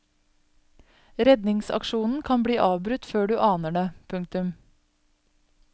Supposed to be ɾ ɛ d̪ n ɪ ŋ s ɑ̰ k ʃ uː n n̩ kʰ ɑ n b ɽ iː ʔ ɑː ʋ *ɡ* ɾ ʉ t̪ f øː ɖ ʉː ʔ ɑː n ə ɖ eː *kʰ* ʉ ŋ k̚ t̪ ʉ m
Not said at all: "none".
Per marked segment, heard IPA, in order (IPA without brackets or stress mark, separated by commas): b, pʰ